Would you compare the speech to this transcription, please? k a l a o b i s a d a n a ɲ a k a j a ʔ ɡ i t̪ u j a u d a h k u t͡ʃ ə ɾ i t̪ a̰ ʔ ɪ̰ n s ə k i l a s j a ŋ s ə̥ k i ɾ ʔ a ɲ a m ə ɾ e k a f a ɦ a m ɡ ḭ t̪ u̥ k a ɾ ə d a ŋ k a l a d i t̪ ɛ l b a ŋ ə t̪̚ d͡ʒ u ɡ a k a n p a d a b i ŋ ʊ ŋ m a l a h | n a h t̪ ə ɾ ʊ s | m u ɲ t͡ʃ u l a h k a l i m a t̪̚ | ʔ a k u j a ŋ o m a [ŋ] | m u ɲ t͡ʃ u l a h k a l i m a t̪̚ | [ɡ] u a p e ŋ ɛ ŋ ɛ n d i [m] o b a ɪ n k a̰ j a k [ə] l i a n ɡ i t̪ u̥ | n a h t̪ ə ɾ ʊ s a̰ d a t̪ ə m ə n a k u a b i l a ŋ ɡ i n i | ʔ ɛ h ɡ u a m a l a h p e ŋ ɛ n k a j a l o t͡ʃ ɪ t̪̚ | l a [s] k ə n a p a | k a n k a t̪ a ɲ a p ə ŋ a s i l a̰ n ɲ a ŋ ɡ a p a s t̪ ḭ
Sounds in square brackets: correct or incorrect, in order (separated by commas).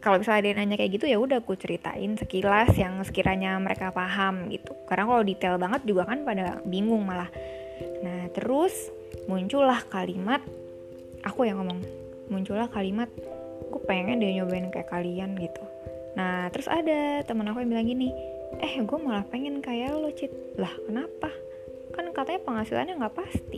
correct, correct, incorrect, incorrect, incorrect